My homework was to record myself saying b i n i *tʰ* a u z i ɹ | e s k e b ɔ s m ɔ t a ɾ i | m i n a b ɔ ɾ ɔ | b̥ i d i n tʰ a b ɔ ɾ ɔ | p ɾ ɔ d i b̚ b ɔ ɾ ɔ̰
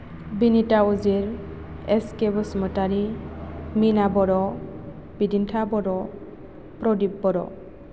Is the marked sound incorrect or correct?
incorrect